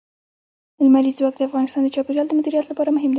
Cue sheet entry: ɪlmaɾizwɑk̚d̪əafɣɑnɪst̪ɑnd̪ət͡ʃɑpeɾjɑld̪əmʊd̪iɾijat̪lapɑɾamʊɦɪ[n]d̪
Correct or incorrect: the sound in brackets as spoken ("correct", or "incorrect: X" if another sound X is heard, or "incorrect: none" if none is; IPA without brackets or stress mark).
incorrect: m